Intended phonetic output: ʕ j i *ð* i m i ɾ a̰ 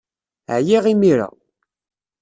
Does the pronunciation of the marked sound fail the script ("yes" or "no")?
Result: yes